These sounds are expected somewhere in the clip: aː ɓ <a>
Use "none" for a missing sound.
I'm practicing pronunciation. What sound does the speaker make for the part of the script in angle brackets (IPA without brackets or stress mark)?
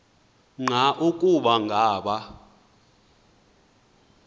a